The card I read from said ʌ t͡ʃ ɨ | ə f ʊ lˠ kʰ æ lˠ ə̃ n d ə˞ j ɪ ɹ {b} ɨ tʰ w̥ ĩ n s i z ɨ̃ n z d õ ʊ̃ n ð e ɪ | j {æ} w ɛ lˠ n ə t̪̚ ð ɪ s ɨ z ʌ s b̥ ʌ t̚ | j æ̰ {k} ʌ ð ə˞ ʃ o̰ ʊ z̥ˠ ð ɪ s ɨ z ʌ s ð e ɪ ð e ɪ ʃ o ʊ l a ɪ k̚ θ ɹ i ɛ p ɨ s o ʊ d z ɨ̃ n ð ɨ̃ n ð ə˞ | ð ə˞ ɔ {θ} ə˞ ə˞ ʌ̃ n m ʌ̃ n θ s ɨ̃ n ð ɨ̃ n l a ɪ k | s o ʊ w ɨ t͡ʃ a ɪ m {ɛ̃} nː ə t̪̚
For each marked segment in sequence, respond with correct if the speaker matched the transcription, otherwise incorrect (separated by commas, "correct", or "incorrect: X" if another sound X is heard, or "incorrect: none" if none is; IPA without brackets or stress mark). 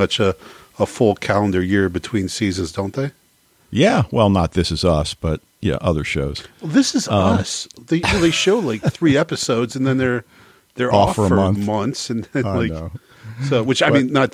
correct, correct, incorrect: ʔ, incorrect: f, incorrect: ĩ